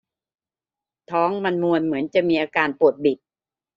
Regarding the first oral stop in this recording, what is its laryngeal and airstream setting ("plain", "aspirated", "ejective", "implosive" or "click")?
aspirated